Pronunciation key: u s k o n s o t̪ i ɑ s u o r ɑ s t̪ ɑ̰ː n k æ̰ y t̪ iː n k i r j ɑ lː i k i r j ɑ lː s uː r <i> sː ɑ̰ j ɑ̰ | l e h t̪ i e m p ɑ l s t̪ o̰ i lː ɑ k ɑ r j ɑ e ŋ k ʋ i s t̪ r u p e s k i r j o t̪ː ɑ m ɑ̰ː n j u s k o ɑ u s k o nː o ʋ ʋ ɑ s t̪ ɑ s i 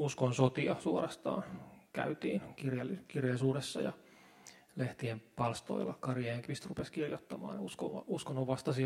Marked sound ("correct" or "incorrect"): incorrect